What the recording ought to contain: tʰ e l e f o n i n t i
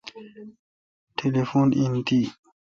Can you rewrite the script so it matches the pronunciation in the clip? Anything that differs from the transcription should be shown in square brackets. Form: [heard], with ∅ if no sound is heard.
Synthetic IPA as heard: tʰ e l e f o n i n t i